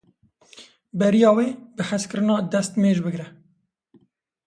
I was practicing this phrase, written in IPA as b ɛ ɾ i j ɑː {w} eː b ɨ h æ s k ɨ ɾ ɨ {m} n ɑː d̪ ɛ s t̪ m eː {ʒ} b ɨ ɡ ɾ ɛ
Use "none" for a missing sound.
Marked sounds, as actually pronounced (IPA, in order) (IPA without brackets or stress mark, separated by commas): w, none, ʒ